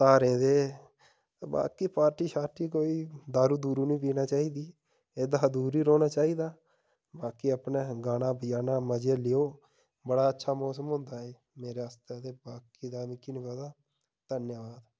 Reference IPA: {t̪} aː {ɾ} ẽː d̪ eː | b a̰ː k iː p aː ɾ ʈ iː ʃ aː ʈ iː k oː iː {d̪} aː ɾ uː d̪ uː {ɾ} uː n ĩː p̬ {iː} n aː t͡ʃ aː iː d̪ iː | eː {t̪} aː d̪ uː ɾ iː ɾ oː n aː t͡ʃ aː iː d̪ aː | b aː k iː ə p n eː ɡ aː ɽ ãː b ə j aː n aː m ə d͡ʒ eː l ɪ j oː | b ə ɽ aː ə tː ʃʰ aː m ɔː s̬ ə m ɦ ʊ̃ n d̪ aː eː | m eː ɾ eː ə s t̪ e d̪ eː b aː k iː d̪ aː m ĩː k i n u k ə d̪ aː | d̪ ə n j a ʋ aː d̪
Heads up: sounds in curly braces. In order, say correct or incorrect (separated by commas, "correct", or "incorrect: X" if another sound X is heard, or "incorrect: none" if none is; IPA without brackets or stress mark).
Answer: correct, correct, correct, correct, correct, incorrect: d̪